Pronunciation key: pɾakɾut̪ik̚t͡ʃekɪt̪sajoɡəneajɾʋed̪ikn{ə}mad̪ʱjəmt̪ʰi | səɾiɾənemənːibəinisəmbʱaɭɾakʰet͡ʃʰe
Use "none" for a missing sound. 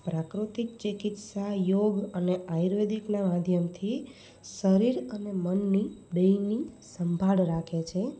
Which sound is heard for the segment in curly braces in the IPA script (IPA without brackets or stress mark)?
a